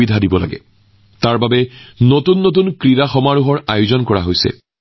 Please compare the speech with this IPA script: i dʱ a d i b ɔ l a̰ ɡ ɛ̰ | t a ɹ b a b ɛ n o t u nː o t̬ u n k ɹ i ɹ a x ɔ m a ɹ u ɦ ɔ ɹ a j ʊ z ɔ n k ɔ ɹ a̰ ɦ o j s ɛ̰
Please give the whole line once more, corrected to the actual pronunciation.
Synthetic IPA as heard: i dʱ a d i b ɔ l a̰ ɡ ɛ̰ | t a ɹ b a b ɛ n o t u nː o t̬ u n k ɹ i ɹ a x ɔ m a ɹ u ɦ ɔ ɹ a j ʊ z ɔ n k ɔ ɹ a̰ ɦ o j s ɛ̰

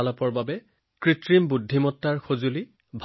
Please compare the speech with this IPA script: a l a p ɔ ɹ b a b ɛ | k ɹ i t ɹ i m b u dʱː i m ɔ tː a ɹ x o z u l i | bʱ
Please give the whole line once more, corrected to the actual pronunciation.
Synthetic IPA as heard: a l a p ɔ ɹ b a b ɛ | k ɹ i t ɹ i m b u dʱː i m ɔ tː a ɹ x o z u l i | bʱ

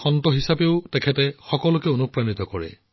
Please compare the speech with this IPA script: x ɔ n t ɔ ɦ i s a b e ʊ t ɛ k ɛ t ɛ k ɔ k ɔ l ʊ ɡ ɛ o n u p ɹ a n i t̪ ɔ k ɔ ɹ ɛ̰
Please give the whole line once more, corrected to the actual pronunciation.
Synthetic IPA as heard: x ɔ n t ɔ ɦ i s a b e ʊ t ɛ kʰ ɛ t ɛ x ɔ k ɔ l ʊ k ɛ o n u p ɹ a n i t̪ ɔ k ɔ ɹ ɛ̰

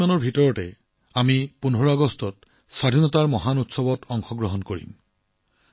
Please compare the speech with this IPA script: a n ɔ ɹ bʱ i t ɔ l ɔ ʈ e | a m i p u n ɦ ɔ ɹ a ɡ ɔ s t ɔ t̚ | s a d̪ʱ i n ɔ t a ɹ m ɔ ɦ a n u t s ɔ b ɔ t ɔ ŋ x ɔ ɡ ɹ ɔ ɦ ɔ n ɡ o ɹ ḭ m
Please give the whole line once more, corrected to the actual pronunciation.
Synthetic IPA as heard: a n ɔ ɹ bʱ i t ɔ ɹ ɔ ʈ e | a m i p u n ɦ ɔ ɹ a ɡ ɔ s t ɔ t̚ | s a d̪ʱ i n ɔ t a ɹ m ɔ ɦ a n u t s ɔ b ɔ t ɔ ŋ x ɔ ɡ ɹ ɔ ɦ ɔ n k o ɹ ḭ m

